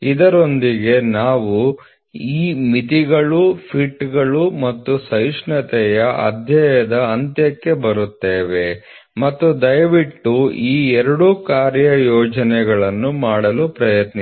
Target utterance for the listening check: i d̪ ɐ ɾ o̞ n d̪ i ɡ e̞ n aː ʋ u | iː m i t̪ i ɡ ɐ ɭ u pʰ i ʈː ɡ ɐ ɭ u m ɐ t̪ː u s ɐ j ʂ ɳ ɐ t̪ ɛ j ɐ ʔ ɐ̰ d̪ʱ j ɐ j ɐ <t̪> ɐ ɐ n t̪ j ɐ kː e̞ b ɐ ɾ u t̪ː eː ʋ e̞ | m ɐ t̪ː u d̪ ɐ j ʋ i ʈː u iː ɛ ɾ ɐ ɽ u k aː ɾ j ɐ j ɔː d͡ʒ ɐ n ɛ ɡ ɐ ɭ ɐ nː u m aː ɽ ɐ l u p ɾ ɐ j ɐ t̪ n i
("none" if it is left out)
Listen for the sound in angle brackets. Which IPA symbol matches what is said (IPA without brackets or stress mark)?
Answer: d̪